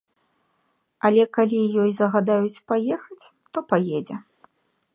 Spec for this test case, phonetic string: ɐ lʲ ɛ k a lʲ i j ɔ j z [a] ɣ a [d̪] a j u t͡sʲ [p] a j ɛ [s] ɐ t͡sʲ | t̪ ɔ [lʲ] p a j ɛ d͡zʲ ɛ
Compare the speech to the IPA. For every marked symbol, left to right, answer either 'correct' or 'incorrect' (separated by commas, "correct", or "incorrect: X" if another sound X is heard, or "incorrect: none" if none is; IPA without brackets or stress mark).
incorrect: ɐ, correct, correct, incorrect: x, incorrect: none